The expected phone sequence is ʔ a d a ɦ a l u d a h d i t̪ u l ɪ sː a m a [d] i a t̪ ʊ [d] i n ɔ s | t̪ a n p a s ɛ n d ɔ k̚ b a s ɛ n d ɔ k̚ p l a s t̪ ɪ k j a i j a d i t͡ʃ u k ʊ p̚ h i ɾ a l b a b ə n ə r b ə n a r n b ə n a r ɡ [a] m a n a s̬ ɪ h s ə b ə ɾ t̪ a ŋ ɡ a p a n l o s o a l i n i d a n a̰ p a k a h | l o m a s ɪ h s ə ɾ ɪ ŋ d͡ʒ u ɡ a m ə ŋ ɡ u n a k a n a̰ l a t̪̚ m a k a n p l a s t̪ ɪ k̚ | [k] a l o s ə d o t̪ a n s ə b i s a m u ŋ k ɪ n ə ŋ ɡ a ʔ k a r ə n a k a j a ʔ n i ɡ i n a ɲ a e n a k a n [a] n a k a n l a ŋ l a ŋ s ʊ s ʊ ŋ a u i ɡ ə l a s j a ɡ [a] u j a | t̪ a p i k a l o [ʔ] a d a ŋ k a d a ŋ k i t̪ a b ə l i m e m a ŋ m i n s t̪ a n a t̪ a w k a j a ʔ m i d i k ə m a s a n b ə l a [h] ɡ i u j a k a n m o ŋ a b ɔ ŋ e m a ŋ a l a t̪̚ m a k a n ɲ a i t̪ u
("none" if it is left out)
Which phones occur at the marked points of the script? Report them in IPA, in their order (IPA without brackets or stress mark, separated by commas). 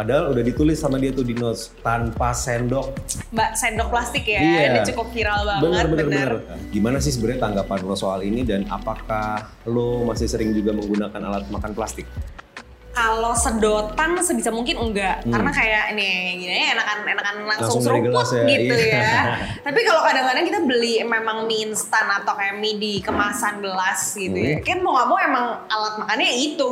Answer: d, d, i, k, e, i, k, s